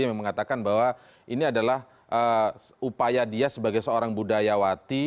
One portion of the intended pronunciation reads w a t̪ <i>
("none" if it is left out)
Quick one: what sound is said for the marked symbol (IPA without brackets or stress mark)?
i